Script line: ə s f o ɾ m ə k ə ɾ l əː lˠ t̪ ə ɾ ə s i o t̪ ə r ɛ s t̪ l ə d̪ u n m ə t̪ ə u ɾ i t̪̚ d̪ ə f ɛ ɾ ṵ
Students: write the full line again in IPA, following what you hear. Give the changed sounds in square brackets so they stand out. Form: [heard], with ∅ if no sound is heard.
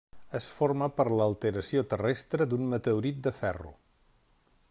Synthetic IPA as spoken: ə s f o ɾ m ə [p] ə ɾ l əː lˠ t̪ ə ɾ ə s i o t̪ ə r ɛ s t̪ [ɾ] ə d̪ u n m ə t̪ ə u ɾ i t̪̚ d̪ ə f ɛ [r] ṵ